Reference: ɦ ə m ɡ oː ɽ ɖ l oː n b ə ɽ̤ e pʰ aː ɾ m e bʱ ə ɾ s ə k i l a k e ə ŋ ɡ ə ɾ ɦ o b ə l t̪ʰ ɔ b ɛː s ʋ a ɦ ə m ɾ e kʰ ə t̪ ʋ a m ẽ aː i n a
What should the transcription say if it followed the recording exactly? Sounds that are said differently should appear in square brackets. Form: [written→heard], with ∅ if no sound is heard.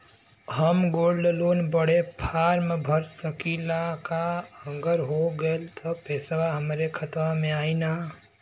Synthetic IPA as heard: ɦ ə m ɡ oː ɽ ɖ l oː n b ə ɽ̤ e pʰ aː ɾ m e bʱ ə ɾ s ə k i l a k [e→a] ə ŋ ɡ ə ɾ ɦ o [b→ɡ] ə l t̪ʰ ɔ [b→p] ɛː s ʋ a ɦ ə m ɾ e kʰ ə t̪ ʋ a m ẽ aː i n a